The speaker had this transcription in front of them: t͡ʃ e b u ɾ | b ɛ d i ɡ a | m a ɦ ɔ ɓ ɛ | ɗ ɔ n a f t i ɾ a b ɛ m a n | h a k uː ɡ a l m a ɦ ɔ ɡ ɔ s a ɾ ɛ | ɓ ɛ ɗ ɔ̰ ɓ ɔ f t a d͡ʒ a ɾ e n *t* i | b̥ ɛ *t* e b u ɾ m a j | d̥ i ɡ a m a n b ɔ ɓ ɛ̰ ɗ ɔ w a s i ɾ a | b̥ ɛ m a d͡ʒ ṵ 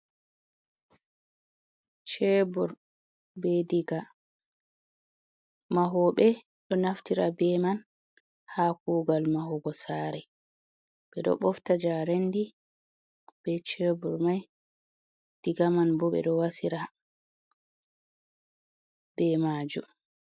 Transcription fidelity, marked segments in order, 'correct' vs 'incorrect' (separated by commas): incorrect, incorrect